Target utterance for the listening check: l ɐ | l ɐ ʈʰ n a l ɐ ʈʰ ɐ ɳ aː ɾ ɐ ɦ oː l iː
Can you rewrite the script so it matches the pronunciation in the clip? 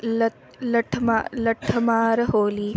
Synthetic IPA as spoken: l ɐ | l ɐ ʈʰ m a l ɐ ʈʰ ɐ m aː ɾ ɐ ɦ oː l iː